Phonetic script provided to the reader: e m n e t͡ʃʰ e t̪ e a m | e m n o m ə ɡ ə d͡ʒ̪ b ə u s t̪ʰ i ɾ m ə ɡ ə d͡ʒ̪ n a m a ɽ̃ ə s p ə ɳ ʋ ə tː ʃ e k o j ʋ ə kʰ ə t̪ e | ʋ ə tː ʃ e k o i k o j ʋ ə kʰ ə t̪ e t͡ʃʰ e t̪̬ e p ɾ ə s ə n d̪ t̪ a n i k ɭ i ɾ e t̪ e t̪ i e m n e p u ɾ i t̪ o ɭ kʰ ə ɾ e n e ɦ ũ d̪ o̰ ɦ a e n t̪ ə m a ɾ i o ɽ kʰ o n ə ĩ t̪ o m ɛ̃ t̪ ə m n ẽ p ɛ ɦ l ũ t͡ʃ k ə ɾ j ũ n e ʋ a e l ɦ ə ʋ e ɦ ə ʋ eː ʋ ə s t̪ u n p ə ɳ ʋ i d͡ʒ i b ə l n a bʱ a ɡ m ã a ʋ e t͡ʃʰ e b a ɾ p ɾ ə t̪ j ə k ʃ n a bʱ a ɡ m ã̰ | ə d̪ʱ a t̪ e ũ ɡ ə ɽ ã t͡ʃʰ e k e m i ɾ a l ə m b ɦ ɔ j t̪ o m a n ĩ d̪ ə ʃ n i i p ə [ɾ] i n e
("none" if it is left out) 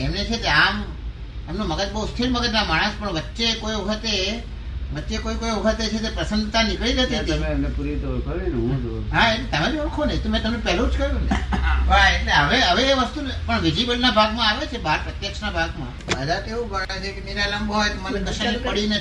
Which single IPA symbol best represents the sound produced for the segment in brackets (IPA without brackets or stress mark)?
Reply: ɽ